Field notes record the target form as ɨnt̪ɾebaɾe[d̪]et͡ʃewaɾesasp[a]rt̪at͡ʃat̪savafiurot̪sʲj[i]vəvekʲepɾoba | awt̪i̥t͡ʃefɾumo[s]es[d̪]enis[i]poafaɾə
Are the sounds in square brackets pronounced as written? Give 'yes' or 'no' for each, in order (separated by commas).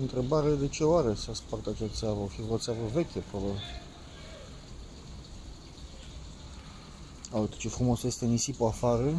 yes, yes, no, yes, no, yes